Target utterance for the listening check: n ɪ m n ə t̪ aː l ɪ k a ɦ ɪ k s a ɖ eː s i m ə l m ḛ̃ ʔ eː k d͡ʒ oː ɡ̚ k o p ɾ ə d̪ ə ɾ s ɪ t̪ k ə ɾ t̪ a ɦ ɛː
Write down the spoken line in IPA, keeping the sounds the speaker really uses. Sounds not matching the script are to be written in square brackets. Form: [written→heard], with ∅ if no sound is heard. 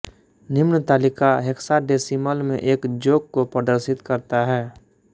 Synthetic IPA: n ɪ m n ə t̪ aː l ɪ k a ɦ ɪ k s a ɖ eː s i m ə l m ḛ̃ ʔ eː k d͡ʒ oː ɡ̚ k o p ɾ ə d̪ ə ɾ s ɪ t̪ k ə ɾ t̪ a ɦ ɛː